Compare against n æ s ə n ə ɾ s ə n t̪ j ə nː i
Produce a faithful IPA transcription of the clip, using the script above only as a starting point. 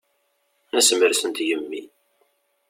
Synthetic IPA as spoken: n æ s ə m ə ɾ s ə n t̪ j ə mː i